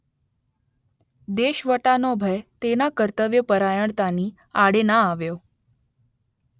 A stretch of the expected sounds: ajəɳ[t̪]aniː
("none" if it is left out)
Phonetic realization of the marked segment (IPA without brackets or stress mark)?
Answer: t̪